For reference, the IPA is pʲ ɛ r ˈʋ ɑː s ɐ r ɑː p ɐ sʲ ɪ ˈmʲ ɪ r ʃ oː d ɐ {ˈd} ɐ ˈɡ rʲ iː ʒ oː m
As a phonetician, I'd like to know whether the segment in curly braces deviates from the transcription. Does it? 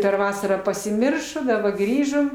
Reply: yes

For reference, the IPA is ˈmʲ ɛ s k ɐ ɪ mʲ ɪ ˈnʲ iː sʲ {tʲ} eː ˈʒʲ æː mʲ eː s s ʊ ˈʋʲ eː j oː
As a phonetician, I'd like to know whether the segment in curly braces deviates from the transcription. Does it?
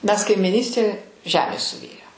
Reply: no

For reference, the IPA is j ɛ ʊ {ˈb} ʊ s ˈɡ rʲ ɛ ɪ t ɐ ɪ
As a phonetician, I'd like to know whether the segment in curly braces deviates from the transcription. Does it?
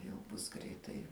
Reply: no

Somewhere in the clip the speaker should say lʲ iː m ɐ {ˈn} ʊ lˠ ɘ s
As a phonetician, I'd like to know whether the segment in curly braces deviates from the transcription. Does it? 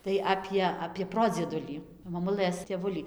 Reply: yes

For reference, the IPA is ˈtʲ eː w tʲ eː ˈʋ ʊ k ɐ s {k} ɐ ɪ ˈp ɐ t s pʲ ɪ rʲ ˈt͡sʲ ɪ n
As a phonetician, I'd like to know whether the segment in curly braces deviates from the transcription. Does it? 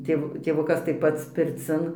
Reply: yes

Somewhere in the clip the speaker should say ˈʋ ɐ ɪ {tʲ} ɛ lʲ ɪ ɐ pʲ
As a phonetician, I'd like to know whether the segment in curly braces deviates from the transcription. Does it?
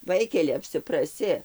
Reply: yes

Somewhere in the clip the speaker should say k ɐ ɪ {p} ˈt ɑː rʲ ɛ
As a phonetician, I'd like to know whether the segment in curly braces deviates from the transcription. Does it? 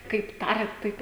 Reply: no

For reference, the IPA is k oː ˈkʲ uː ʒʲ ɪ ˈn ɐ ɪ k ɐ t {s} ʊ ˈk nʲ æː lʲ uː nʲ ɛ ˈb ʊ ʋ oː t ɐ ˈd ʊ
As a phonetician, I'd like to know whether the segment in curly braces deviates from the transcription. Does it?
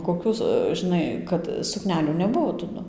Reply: no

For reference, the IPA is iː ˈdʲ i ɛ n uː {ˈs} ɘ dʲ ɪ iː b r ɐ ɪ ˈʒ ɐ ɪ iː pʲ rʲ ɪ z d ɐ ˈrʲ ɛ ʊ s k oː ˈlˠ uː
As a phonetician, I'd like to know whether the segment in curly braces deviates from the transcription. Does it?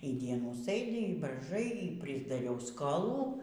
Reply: no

